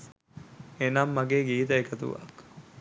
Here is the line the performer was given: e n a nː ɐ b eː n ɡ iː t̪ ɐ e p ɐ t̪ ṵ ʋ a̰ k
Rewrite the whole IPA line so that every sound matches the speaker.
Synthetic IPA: e n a mː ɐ ɡ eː ɡ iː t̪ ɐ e k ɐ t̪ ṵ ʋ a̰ k